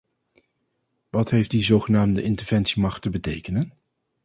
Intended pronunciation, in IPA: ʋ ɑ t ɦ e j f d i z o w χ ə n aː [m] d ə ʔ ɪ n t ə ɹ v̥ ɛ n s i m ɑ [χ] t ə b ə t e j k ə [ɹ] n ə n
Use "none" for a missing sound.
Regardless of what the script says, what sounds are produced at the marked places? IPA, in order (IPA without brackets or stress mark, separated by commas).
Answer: m, χ, none